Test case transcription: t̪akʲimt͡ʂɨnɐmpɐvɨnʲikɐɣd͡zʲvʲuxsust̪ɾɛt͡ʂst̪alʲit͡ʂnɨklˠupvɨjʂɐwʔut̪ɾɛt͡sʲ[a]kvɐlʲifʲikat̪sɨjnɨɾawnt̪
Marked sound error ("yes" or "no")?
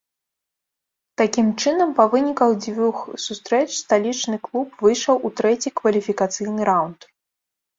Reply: yes